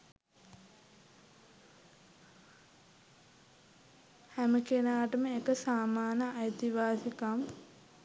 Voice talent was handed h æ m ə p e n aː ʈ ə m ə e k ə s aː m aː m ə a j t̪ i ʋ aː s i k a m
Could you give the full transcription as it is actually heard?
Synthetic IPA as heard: h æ m ə k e n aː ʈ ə m ə e k ə s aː m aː n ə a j t̪ i ʋ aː s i k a m